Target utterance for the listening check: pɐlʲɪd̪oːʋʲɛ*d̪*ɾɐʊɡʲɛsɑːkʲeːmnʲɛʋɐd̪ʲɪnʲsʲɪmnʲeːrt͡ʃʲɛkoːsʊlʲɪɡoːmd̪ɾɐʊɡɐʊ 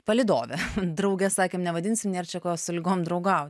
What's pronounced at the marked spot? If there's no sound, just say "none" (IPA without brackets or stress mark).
d̪